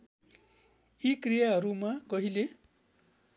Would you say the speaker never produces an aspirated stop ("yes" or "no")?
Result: yes